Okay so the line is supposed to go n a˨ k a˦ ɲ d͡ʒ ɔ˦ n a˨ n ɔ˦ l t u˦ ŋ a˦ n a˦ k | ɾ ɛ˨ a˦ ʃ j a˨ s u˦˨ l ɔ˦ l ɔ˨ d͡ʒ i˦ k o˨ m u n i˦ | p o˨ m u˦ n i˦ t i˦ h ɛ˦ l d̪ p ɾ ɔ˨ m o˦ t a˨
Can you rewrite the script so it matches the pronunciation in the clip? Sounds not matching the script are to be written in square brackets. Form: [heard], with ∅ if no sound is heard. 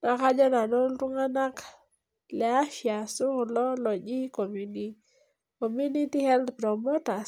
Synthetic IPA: n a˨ k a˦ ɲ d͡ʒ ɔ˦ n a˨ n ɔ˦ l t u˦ ŋ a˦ n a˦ k | [l] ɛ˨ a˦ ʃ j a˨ s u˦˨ l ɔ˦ l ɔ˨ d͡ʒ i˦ k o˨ m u n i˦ | [k] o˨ m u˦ n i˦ t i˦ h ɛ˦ l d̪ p ɾ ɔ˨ m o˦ t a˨

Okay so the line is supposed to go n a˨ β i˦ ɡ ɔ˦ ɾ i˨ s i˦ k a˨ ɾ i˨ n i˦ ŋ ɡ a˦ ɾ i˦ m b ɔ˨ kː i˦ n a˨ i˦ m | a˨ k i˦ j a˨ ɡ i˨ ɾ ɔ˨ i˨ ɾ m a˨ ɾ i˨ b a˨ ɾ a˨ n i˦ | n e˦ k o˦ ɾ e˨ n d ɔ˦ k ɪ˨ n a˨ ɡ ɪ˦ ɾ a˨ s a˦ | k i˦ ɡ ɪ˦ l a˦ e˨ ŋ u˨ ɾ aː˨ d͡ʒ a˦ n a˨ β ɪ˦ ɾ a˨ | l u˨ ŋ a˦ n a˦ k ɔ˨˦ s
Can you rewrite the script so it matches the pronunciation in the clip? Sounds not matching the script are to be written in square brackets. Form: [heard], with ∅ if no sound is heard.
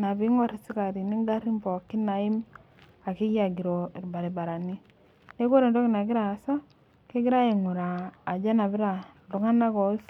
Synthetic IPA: n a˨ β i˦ [ŋ] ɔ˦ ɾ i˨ s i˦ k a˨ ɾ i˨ n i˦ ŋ ɡ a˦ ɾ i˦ m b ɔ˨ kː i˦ n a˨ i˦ m | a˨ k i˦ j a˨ ɡ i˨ ɾ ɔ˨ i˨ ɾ [b] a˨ ɾ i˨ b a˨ ɾ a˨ n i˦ | n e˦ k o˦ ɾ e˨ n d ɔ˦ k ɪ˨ n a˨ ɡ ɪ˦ ɾ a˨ s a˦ | k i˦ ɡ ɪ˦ [ɾ] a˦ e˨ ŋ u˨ ɾ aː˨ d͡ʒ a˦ n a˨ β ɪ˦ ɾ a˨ | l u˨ ŋ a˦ n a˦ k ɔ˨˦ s

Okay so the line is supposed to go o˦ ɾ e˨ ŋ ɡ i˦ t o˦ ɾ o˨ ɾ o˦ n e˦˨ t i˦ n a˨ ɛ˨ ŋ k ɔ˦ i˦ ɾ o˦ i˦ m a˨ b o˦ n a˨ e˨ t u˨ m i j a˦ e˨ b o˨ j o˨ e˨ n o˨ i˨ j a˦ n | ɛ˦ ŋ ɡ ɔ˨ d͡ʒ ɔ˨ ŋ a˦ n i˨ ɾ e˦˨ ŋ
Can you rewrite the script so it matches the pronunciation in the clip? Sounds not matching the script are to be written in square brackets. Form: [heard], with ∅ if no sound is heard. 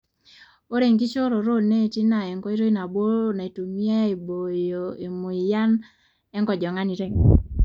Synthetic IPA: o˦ ɾ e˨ ŋ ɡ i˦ [t͡ʃ] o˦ ɾ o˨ ɾ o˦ n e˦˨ t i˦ n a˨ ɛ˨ ŋ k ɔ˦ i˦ ɾ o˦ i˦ [n] a˨ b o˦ n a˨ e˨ t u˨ m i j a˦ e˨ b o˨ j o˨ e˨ [m] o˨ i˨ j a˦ n | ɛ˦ ŋ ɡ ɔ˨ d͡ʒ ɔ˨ ŋ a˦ n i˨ ɾ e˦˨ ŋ

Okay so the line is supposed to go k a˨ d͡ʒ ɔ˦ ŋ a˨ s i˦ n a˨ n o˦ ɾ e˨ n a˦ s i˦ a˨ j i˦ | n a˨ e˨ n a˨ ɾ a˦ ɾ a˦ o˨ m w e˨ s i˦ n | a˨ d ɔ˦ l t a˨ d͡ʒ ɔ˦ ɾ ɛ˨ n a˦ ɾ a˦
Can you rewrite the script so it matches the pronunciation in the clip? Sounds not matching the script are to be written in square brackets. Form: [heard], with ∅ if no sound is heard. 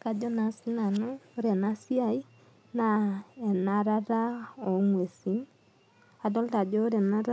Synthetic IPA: k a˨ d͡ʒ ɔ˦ [n] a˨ s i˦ n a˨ n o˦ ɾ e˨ n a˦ s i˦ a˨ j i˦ | n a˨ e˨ n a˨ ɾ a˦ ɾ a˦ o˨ [ŋ] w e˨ s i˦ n | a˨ d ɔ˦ l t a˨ d͡ʒ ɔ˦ ɾ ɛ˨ n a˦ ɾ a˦

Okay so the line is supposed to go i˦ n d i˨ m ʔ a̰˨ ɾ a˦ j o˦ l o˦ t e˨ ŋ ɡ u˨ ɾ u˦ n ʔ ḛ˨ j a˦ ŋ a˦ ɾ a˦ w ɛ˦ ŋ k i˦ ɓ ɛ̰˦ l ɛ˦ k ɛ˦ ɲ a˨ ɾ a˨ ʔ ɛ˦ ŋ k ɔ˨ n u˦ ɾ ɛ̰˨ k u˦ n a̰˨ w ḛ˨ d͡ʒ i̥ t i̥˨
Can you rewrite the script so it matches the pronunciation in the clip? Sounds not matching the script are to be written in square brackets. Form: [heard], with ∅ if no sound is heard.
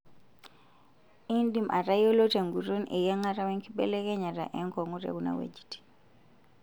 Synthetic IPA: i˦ n d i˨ m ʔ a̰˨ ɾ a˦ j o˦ l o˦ t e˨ ŋ ɡ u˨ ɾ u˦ n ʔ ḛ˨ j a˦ ŋ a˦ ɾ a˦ w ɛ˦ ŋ k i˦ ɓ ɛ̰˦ l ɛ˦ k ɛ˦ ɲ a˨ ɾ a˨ ʔ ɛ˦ ŋ k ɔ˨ [ŋ] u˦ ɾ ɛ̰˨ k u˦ n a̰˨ w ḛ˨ d͡ʒ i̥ t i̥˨

